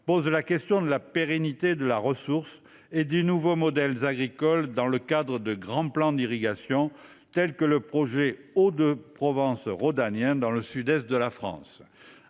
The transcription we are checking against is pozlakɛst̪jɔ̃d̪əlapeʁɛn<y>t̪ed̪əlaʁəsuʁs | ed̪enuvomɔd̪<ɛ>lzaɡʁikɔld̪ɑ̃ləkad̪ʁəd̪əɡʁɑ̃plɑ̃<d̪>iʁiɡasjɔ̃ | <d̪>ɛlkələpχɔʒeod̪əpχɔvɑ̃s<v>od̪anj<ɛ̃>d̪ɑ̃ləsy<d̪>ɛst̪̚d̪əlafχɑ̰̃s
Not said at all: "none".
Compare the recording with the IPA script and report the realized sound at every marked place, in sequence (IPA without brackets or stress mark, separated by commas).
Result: i, ɛ, d̪, t̪, ʁ, ɛ̃, d̪